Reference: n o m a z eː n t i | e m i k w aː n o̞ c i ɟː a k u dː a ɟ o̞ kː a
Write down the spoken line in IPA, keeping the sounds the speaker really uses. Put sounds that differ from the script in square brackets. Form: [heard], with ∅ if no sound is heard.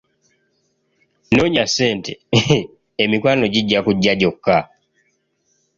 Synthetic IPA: n o [ɲ] a [s] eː n t [e] | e m i k w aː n o̞ [ɟ] i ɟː a k u [ɟː] a ɟ o̞ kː a

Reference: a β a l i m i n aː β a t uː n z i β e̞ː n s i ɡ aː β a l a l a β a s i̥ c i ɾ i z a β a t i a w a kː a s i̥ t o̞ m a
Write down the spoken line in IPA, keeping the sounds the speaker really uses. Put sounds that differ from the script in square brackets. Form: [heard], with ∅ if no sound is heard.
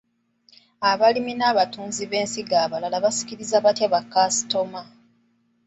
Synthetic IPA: a β a l i m i n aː β a t uː n z i β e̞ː n s i ɡ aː β a l a l a β a s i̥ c i ɾ i z a β a t [j] a [β] a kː a s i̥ t o̞ m a

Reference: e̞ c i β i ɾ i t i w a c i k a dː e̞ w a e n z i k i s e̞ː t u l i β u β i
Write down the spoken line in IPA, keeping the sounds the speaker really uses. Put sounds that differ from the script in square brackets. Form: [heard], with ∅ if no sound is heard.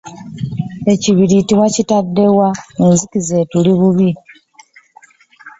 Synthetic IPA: e̞ c i β i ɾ i t i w a c i [t] a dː e̞ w a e n z i k i [z] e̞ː t u l i β u β i

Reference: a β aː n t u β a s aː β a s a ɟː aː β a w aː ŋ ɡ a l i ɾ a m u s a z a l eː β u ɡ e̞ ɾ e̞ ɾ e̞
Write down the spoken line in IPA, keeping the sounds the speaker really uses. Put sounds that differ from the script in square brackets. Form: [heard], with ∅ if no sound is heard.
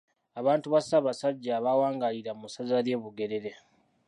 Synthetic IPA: a β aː n t u β a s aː β a s a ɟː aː β a w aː ŋ ɡ a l i ɾ a m u s a z a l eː β u ɡ e̞ ɾ e̞ ɾ e̞

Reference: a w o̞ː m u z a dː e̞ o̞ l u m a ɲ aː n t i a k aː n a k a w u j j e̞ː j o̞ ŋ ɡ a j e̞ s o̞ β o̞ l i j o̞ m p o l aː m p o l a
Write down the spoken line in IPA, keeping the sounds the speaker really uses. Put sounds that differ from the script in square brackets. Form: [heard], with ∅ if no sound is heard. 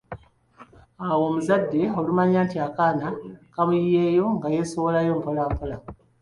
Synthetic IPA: a w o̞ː m u z a dː e̞ o̞ l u m a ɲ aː n t i a k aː n a k a [β] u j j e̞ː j o̞ ŋ ɡ a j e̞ s o̞ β o̞ l [a] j o̞ m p o l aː m p o l a

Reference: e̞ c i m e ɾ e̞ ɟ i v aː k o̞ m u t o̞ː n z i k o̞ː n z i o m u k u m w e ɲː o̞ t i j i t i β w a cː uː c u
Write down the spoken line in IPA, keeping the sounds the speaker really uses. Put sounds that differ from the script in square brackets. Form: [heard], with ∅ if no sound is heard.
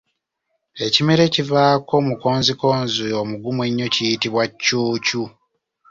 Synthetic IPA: e̞ c i m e ɾ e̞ [c] i v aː k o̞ m u [k] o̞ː n z i k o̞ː n z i o m u [ɡ] u m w e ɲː o̞ [c] i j i t i β w a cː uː c u

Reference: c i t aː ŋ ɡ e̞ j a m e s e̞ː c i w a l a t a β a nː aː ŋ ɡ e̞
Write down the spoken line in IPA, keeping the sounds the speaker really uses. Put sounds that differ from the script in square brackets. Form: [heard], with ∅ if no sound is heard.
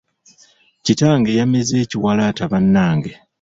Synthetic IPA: c i t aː ŋ ɡ e̞ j a m e [z] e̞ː c i w a l a t a β a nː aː ŋ ɡ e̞

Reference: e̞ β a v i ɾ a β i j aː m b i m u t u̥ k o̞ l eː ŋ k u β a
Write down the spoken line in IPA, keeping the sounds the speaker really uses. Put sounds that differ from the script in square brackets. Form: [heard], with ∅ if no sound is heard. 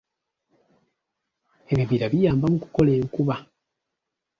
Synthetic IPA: e̞ β [i] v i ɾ a β i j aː m b [a] m u [k] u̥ k o̞ l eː ŋ k u β a

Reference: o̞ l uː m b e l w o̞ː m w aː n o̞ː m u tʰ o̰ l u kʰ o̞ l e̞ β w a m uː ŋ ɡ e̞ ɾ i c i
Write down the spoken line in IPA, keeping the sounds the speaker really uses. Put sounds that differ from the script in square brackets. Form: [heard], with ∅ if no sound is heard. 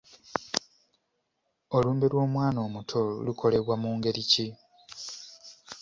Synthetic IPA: o̞ l uː m b e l w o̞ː m w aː n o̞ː m u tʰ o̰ l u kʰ o̞ l e̞ β w a m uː ŋ ɡ e̞ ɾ i c i

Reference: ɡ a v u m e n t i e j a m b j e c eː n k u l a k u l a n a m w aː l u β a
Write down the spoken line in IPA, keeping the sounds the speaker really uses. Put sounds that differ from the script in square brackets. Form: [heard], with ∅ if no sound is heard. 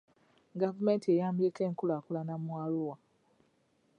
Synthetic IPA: ɡ a v u m e n t i e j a m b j e [k] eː [ŋ] k u l a k u l a n a m w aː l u [w] a

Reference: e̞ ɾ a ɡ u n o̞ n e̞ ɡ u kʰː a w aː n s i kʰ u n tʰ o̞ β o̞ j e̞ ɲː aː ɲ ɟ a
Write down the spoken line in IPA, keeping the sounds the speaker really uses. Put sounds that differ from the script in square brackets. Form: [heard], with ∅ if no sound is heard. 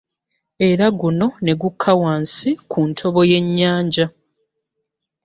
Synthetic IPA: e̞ ɾ a ɡ u n o̞ n e̞ ɡ u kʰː a w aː n s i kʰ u n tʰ o̞ β o̞ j e̞ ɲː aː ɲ ɟ a

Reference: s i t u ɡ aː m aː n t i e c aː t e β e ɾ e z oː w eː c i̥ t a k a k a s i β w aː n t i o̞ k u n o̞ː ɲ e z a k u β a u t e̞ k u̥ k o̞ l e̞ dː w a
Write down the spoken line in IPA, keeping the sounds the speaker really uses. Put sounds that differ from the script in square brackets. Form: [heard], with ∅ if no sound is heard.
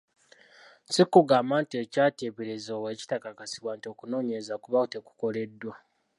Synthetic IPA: s i [k] u ɡ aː m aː n t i e c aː t e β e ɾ e z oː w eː c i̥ t a k a k a s i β w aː n t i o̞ k u n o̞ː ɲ e z a k u β a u t e̞ k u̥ k o̞ l e̞ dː w a

